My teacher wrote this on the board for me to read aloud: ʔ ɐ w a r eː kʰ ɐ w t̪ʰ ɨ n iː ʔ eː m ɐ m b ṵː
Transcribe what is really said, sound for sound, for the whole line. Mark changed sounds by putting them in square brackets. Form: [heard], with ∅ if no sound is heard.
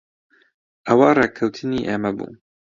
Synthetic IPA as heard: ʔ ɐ w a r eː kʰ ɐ w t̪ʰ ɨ n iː ʔ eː m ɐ [∅] b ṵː

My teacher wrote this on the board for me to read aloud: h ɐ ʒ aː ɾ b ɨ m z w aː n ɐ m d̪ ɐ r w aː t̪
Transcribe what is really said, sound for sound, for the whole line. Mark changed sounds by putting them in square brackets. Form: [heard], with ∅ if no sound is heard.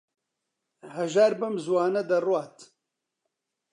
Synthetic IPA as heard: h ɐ ʒ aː ɾ b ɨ m z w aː n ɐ [∅] d̪ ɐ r w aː t̪

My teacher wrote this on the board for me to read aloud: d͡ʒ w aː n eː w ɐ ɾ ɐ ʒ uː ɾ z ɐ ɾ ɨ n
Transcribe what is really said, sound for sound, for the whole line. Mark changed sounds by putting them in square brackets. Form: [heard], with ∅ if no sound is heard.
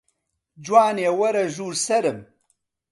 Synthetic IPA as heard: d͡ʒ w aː n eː w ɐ ɾ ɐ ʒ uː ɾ [s] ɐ ɾ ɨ [m]

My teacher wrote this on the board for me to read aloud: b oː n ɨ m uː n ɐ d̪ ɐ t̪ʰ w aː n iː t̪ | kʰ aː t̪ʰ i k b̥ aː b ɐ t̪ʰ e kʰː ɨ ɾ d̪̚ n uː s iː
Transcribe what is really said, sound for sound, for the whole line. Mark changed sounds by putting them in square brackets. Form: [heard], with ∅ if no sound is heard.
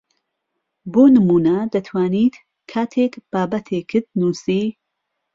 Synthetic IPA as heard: b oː n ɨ m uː n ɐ d̪ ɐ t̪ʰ w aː n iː t̪ | kʰ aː t̪ʰ [e] k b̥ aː b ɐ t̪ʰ e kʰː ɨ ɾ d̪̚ n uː s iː

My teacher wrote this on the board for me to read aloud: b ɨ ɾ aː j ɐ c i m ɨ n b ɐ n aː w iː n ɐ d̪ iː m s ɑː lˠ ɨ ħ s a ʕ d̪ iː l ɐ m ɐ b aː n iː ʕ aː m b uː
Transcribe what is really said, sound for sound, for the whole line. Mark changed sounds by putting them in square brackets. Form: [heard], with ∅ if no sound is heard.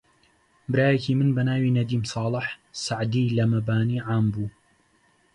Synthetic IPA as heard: b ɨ ɾ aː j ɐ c i m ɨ n b ɐ n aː w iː n ɐ d̪ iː m s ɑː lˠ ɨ ħ s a ʕ d̪ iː l ɐ m ɐ b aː n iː ʕ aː m b uː

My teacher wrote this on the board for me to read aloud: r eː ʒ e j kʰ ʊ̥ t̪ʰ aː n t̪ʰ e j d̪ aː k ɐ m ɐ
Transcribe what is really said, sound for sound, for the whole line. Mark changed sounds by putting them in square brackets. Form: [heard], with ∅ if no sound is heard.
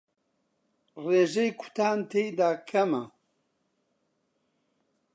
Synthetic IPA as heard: r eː ʒ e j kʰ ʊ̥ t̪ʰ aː n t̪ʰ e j d̪ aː [kʰ] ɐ m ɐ

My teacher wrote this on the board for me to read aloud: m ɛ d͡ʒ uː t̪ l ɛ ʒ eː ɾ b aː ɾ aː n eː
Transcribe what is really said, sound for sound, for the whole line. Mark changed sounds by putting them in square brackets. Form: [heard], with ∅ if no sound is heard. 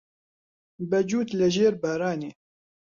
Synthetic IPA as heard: [b] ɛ d͡ʒ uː t̪ l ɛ ʒ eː ɾ b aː ɾ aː n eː

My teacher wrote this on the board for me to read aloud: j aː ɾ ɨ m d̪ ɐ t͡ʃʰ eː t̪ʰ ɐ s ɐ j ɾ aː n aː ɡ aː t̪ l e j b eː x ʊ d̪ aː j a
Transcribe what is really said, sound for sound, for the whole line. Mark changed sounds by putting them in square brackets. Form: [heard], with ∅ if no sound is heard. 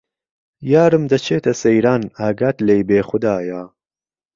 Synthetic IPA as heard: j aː ɾ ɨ m d̪ ɐ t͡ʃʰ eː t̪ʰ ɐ s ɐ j ɾ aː n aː ɡ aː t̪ l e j b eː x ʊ d̪ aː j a

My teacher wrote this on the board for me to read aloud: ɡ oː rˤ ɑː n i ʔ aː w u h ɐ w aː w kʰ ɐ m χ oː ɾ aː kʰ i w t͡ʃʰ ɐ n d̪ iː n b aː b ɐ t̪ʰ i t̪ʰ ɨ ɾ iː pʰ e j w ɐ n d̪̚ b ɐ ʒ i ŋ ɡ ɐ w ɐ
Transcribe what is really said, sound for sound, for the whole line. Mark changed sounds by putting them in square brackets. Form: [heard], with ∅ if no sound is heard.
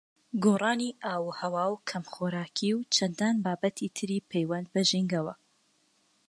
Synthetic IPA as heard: ɡ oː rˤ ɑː n i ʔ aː w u h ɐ w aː w kʰ ɐ m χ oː ɾ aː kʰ i w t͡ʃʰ ɐ n d̪ [aː] n b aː b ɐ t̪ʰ i t̪ʰ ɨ ɾ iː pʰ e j w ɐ n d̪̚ b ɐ ʒ i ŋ ɡ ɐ w ɐ

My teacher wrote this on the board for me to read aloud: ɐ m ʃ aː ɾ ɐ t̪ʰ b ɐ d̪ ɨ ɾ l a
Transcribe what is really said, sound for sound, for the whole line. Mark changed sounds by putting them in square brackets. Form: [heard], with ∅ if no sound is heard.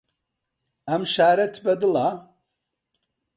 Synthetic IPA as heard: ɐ m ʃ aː ɾ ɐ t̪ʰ b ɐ d̪ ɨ [∅] l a

